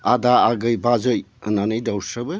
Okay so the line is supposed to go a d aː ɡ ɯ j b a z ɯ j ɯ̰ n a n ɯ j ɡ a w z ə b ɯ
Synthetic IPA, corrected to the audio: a d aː ɡ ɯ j b a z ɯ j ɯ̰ n a n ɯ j d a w s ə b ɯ